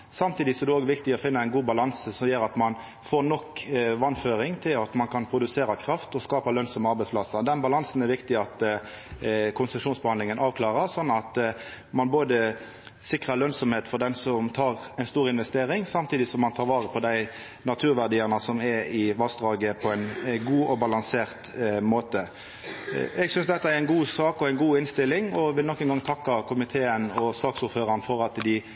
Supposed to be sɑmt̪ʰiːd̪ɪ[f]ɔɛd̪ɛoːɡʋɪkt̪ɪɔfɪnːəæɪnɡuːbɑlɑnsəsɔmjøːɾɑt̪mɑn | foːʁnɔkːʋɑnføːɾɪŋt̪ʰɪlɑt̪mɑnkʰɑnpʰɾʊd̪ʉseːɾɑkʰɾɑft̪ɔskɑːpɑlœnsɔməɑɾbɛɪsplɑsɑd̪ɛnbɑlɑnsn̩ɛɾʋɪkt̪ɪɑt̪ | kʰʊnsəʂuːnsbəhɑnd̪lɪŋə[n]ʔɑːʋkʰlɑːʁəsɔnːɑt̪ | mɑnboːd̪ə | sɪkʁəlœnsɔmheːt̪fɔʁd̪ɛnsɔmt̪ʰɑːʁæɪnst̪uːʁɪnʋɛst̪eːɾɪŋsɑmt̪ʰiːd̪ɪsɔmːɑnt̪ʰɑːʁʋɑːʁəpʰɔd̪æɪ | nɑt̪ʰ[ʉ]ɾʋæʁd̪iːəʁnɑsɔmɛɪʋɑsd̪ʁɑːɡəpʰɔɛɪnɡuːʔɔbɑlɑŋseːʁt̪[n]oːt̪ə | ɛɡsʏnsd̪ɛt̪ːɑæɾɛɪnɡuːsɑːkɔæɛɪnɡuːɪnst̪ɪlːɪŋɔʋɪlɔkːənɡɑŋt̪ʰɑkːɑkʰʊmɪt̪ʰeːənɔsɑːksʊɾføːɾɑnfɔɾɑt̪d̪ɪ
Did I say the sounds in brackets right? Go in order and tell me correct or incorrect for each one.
incorrect: s, correct, incorrect: ʉː, incorrect: m

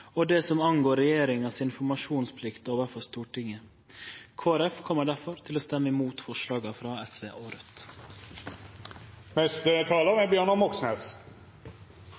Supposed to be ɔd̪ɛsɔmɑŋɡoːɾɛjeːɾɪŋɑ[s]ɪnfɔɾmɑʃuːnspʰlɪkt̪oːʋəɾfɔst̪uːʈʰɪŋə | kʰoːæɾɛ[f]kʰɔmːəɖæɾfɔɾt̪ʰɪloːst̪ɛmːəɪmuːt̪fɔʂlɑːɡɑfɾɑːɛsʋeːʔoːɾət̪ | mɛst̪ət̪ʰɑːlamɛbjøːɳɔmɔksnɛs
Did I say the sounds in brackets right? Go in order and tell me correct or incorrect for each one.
correct, correct

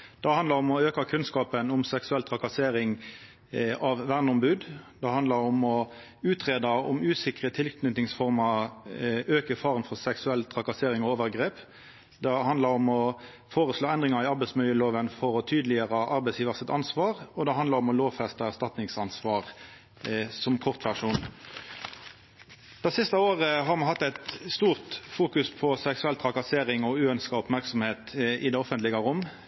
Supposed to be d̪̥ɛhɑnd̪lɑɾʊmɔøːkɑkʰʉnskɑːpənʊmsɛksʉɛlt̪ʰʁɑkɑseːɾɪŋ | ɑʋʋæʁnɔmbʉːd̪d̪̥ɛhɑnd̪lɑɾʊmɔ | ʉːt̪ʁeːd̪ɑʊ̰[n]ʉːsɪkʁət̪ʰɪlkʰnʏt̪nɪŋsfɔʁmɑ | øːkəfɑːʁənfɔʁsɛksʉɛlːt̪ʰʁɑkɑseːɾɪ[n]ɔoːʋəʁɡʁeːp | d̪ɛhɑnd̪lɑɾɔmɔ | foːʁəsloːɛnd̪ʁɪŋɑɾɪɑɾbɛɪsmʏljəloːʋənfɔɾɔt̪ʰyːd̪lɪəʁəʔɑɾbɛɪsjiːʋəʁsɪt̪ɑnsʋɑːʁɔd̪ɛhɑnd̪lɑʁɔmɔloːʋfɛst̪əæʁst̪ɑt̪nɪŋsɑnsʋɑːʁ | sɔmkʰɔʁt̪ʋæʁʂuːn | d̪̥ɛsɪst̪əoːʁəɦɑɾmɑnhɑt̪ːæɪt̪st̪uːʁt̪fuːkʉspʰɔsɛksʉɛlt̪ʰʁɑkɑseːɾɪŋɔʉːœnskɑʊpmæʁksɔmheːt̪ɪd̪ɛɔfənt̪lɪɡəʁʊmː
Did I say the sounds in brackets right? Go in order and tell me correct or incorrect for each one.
incorrect: m, incorrect: ŋ

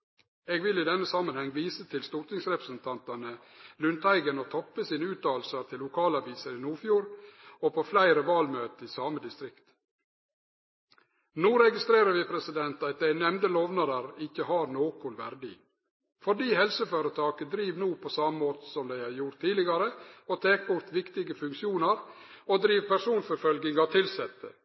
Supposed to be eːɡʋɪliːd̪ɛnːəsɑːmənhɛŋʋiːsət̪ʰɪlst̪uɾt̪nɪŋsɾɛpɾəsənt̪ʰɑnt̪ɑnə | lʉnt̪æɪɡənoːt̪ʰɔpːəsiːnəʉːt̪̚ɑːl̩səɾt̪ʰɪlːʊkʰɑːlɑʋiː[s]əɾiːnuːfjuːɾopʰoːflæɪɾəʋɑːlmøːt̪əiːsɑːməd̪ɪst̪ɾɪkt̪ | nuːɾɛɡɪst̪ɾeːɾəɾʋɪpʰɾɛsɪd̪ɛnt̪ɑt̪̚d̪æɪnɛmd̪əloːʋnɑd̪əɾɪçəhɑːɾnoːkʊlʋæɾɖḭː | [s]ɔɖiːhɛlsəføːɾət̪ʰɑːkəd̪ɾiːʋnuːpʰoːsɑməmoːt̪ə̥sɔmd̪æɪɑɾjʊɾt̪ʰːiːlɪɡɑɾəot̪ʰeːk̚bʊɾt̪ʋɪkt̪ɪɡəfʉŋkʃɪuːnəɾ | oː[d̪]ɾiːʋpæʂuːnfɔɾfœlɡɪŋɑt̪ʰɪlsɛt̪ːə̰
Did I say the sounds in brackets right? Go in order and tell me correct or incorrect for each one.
correct, incorrect: f, correct

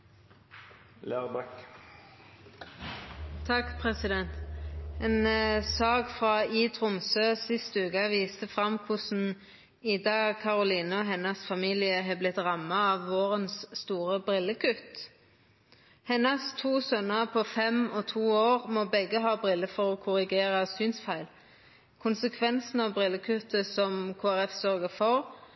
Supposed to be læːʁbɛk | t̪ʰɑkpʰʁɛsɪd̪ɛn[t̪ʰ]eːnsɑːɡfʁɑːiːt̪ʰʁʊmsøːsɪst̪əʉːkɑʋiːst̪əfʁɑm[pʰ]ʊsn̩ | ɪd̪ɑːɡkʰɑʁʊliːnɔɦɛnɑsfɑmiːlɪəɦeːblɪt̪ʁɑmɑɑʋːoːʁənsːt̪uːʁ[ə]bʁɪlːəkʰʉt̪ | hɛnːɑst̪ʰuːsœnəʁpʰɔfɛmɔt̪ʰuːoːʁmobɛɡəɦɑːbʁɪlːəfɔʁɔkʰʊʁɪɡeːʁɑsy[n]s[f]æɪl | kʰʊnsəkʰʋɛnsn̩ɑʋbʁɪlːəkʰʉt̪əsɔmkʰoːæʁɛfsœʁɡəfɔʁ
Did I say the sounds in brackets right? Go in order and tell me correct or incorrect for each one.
incorrect: t̪, incorrect: kʰ, correct, correct, correct

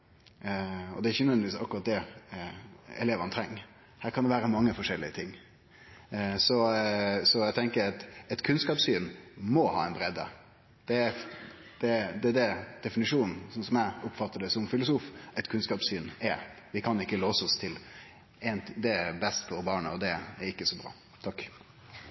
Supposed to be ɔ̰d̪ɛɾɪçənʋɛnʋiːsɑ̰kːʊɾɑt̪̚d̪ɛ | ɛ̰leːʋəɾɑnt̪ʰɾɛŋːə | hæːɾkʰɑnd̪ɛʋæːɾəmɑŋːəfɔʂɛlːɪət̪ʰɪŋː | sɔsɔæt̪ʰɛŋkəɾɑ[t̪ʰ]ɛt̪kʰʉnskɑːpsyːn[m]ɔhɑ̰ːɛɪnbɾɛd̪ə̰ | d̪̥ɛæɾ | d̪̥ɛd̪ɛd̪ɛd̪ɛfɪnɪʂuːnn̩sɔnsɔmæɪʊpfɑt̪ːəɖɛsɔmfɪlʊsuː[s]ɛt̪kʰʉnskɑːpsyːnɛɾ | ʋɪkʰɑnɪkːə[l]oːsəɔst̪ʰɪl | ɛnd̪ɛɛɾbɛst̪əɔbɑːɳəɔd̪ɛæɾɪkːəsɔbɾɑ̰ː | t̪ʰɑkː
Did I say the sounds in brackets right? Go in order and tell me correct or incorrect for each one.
incorrect: t̪, correct, incorrect: f, correct

